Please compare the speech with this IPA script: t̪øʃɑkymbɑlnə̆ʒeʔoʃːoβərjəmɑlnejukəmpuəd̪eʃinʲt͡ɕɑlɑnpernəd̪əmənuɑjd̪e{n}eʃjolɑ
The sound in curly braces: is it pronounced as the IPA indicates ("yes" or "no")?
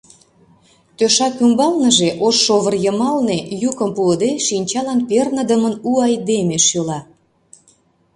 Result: no